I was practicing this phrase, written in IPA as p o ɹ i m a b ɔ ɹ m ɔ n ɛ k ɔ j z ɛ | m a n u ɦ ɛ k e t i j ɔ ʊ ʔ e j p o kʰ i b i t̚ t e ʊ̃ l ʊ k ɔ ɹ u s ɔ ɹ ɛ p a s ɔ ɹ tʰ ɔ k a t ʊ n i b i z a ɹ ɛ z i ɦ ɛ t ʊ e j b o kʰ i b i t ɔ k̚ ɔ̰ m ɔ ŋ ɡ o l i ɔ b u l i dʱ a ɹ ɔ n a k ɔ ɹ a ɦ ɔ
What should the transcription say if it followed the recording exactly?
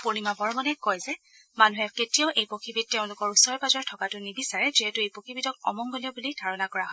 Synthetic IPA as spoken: p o ɹ i m a b ɔ ɹ m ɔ n ɛ k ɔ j z ɛ | m a n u ɦ ɛ k e t i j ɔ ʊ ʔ e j p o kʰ i b i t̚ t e ʊ̃ l ʊ k ɔ ɹ u s ɔ ɹ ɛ p a z ɔ ɹ tʰ ɔ k a t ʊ n i b i s a ɹ ɛ z i ɦ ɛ t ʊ e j p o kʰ i b i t ɔ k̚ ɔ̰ m ɔ ŋ ɡ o l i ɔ b u l i dʱ a ɹ ɔ n a k ɔ ɹ a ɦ ɔ